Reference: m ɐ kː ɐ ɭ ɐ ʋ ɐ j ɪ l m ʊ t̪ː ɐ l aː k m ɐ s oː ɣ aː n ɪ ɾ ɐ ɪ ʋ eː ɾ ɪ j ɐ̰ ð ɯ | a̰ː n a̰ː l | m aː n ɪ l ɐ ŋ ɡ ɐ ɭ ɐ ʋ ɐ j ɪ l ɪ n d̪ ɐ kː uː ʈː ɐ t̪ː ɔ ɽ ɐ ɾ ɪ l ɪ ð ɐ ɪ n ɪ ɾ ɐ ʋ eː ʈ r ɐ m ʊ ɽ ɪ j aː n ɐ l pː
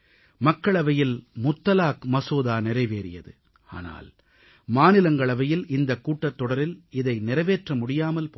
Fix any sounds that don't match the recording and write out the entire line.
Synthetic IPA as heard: m ɐ kː ɐ ɭ ɐ ʋ ɐ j ɪ l m ʊ t̪ː ɐ l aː k m ɐ s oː ð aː n ɪ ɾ ɐ ɪ ʋ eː ɾ ɪ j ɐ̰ ð ɯ | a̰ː n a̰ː l | m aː n ɪ l ɐ ŋ ɡ ɐ ɭ ɐ ʋ ɐ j ɪ l ɪ n d̪ ɐ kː uː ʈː ɐ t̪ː ɔ ɽ ɐ ɾ ɪ l ɪ ð ɐ ɪ n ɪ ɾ ɐ ʋ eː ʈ r ɐ m ʊ ɽ ɪ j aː m ɐ l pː

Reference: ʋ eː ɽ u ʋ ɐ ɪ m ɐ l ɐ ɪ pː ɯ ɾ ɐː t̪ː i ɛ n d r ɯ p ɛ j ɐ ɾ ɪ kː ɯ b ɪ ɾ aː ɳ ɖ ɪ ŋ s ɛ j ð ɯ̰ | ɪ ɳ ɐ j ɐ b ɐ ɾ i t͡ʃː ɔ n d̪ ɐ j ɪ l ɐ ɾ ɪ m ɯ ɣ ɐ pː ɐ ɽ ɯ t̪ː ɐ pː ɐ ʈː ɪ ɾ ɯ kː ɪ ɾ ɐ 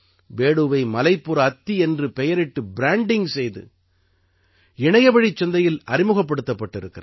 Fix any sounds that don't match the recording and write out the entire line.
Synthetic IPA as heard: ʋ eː ɽ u ʋ ɐ ɪ m ɐ l ɐ ɪ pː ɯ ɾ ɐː t̪ː i ɛ n d r ɯ p ɛ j ɐ ɾ ɪ ʈː ɯ b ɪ ɾ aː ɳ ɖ ɪ ŋ s ɛ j ð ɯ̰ | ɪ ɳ ɐ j ɐ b ɐ ɽ i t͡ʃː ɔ n d̪ ɐ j ɪ l ɐ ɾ ɪ m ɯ ɣ ɐ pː ɐ ɽ ɯ t̪ː ɐ pː ɐ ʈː ɪ ɾ ɯ kː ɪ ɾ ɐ

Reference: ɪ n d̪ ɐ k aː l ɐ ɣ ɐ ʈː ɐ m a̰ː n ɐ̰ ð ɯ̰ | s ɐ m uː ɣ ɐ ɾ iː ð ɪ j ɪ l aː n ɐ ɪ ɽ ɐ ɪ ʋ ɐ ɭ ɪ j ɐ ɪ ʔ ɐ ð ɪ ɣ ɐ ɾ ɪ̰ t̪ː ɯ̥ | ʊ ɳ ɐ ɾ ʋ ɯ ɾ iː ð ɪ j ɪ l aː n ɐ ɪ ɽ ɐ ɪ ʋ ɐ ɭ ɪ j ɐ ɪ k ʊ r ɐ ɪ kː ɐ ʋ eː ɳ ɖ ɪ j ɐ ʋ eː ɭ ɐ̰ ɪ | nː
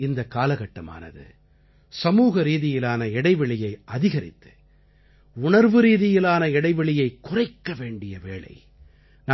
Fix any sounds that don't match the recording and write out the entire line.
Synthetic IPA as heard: ɪ n d̪ ɐ k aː l ɐ ɣ ɐ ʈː ɐ m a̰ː n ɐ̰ ð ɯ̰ | s ɐ m uː ɣ ɐ ɾ iː ð ɪ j ɪ l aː n ɐ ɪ ɽ ɐ ɪ ʋ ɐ ɭ ɪ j ɐ ɪ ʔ ɐ ð ɪ ɣ ɐ ɾ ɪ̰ t̪ː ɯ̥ | ʊ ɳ ɐ ɾ ʋ ɯ ɾ iː ð ɪ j ɪ l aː n ɐ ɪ ɽ ɐ ɪ ʋ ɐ ɭ ɪ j ɐ ɪ k ʊ r ɐ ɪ kː ɐ ʋ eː ɳ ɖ ɪ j ɐ ʋ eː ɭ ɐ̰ ɪ | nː

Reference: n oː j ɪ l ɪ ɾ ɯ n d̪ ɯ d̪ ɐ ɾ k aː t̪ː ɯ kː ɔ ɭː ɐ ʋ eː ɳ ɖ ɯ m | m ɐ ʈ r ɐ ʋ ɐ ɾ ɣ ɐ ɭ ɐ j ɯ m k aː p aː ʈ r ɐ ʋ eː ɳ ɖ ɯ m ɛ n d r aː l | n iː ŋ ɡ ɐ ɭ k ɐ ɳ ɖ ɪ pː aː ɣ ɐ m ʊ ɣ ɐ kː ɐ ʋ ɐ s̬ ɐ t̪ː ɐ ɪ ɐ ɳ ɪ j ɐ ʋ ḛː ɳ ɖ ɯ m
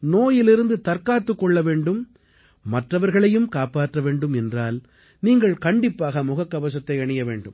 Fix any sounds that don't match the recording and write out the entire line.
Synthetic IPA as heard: n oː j ɪ l ɪ ɾ ɯ n d̪ ɯ t̪ ɐ ɾ k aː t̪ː ɯ kː ɔ ɭː ɐ ʋ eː ɳ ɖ ɯ m | m ɐ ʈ r ɐ ʋ ɐ ɾ ɣ ɐ ɭ ɐ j ɯ m k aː p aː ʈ r ɐ ʋ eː ɳ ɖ ɯ m ɛ n d r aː l | n iː ŋ ɡ ɐ ɭ k ɐ ɳ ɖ ɪ pː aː ɣ ɐ m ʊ ɣ ɐ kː ɐ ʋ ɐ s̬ ɐ t̪ː ɐ ɪ ɐ ɳ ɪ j ɐ ʋ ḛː ɳ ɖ ɯ m

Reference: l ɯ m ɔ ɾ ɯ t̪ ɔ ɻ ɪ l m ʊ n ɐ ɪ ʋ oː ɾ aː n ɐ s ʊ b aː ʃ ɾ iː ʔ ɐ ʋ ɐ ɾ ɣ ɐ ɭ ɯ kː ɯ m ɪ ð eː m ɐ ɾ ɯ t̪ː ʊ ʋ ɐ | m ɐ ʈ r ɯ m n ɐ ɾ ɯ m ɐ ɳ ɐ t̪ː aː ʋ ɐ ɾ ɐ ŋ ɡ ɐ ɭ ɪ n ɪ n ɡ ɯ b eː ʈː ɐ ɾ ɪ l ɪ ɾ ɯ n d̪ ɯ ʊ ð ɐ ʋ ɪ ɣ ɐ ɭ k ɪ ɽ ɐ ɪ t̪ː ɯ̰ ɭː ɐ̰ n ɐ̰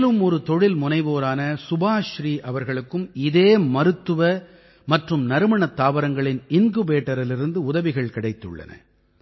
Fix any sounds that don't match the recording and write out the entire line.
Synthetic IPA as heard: l ɯ m ɔ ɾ ɯ t̪ ɔ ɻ ɪ l m ʊ n ɐ ɪ ʋ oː ɾ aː n ɐ s ʊ b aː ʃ ɾ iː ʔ ɐ ʋ ɐ ɾ ɣ ɐ ɭ ɯ kː ɯ m ɪ ð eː m ɐ ɾ ɯ t̪ː ɯ ʋ ɐ | m ɐ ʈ r ɯ m n ɐ ɾ ɯ m ɐ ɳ ɐ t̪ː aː ʋ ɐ ɾ ɐ ŋ ɡ ɐ ɭ ɪ n ɪ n ɡ ɯ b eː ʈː ɐ ɾ ɪ l ɪ ɾ ɯ n d̪ ɯ ʊ ð ɐ ʋ ɪ ɣ ɐ ɭ k ɪ ɽ ɐ ɪ t̪ː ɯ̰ ɭː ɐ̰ n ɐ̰

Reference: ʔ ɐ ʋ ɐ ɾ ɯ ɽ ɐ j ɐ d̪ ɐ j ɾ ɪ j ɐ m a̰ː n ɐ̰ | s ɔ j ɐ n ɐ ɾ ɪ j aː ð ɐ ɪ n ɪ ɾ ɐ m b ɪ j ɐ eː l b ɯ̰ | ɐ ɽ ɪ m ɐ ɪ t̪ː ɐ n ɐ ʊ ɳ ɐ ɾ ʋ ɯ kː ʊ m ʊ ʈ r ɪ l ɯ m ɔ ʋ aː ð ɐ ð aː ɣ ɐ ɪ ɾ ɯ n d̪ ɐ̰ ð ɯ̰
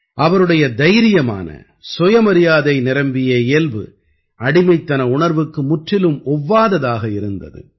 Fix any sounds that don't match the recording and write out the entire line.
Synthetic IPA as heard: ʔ ɐ ʋ ɐ ɾ ɯ ɽ ɐ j ɐ d̪ ɐ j ɾ ɪ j ɐ m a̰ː n ɐ̰ | s ɔ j ɐ m ɐ ɾ ɪ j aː ð ɐ ɪ n ɪ ɾ ɐ m b ɪ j ɐ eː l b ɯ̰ | ɐ ɽ ɪ m ɐ ɪ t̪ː ɐ n ɐ ʊ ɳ ɐ ɾ ʋ ɯ kː ɯ m ʊ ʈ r ɪ l ɯ m ɔ ʋː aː ð ɐ ð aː ɣ ɐ ɪ ɾ ɯ n d̪ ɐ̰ ð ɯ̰

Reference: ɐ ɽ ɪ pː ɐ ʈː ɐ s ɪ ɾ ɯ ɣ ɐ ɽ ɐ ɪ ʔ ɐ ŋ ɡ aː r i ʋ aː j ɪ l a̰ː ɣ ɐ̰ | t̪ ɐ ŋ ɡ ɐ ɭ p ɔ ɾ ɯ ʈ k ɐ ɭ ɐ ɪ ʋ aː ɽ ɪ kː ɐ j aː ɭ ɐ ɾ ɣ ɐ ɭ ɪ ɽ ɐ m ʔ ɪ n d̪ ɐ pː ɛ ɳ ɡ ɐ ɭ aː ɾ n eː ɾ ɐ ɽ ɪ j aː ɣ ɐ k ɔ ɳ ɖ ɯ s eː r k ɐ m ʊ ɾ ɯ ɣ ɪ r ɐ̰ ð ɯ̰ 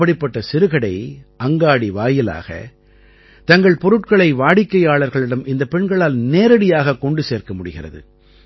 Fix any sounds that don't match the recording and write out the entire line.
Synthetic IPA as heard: ɐ ɽ ɪ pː ɐ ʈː ɐ s ɪ ɾ ɯ ɣ ɐ ɽ ɐ ɪ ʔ ɐ ŋ ɡ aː ɽ i ʋ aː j ɪ l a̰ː ɣ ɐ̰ | t̪ ɐ ŋ ɡ ɐ ɭ p ɔ ɾ ɯ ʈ k ɐ ɭ ɐ ɪ ʋ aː ɽ ɪ kː ɐ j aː ɭ ɐ ɾ ɣ ɐ ɭ ɪ ɽ ɐ m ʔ ɪ n d̪ ɐ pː ɛ ɳ ɡ ɐ ɭ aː l n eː ɾ ɐ ɽ ɪ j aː ɣ ɐ k ɔ ɳ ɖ ɯ s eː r k ɐ m ʊ ɽ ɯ ɣ ɪ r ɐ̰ ð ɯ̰

